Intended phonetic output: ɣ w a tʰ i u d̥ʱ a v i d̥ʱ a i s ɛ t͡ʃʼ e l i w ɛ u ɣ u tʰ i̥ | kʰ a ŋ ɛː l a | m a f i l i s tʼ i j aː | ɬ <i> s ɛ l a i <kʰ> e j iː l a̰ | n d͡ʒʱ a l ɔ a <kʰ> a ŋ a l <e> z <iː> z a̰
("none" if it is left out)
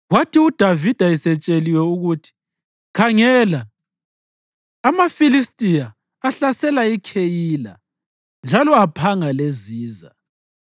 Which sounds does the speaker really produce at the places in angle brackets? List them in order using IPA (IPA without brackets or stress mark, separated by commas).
a, kʰ, pʰ, e, iː